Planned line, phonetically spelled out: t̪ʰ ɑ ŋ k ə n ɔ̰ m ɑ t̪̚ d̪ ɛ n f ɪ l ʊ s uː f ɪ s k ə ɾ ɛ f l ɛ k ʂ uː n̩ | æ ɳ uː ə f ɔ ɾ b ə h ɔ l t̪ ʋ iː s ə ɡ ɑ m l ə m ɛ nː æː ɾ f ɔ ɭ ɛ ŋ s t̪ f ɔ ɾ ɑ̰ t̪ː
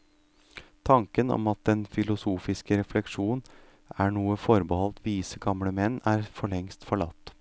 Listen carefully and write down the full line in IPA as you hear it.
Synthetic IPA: t̪ʰ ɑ ŋ k ə n ɔ̰ m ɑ t̪̚ d̪ ɛ n f ɪ l ʊ s uː f ɪ s k ə ɾ ɛ f l ɛ k ʂ uː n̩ | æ ɳ uː ə f ɔ ɾ b ə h ɔ l t̪ ʋ iː s ə ɡ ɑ m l ə m ɛ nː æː ɾ f ɔ ɭ ɛ ŋ s t̪ f ɔ ɭ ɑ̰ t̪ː